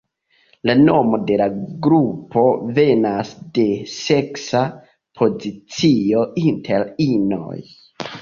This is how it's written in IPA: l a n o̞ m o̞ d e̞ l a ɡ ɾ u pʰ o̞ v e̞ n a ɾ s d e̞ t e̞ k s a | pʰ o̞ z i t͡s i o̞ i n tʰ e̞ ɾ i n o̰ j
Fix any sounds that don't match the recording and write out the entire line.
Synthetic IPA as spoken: l a n o̞ m o̞ d e̞ l a ɡ ɾ u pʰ o̞ v e̞ n a s d e̞ s e̞ k s a | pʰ o̞ z i t͡s i o̞ i n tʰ e̞ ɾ i n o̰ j